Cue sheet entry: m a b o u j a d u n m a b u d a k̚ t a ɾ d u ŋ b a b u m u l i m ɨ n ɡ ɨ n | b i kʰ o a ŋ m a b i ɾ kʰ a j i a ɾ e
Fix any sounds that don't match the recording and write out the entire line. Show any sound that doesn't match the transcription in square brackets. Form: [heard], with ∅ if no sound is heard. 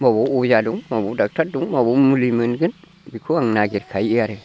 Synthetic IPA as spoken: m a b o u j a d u [ŋ] m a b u d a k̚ t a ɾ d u ŋ [m] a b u m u l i m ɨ n ɡ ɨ n | b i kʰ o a ŋ [n] a [ɡ] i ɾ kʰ a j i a ɾ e